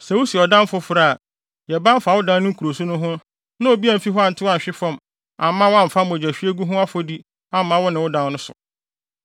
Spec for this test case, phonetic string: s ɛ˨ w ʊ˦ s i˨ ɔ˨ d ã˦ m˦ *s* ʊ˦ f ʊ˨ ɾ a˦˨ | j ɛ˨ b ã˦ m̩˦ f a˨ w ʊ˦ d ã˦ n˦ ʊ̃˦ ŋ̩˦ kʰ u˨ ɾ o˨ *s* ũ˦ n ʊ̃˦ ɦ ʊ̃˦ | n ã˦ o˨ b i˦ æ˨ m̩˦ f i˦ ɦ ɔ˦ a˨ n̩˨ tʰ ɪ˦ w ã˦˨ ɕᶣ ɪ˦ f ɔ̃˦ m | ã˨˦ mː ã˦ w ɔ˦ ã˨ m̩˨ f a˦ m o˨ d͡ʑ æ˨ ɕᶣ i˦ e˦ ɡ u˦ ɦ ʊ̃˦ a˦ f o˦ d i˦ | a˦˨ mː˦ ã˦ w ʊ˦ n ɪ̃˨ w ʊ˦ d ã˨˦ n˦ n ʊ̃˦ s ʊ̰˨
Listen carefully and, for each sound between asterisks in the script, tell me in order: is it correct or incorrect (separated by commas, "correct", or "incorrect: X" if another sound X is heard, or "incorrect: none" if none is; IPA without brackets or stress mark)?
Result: incorrect: f, correct